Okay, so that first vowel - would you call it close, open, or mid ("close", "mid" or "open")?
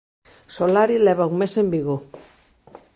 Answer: mid